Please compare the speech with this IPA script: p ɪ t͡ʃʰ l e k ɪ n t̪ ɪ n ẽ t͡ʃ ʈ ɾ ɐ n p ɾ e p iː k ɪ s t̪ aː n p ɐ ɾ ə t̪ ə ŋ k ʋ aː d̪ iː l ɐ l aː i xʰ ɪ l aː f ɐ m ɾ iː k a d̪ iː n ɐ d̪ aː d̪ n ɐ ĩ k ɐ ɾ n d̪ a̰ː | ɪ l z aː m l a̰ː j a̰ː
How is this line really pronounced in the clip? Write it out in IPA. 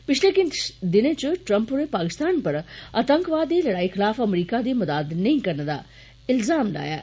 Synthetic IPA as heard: p ɪ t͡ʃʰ l e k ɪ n d̪ ɪ n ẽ t͡ʃ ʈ ɾ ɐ m p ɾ e p aː k ɪ s t̪ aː n p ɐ ɾ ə t̪ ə ŋ k ʋ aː d̪ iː l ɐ ɽ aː i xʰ ɪ l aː f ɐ m ɾ iː k a d̪ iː m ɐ d̪ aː d̪ n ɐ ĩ k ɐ ɾ n d̪ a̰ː | ɪ l z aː m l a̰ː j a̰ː